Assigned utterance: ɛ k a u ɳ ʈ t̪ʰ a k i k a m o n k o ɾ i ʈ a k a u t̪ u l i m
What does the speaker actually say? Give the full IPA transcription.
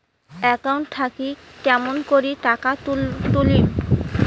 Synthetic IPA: ɛ k a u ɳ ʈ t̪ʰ a k i k ɛ m o n k o ɾ i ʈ a k a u t̪ u l i m